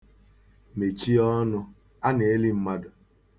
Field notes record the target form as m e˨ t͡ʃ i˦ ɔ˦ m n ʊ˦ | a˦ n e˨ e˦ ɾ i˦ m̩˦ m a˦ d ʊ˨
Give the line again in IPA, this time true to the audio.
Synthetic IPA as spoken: m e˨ t͡ʃ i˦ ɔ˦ n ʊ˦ | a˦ n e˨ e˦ l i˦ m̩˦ m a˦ d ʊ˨